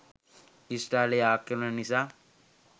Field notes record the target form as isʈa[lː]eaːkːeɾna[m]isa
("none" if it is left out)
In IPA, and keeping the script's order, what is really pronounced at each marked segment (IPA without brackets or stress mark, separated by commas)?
l, n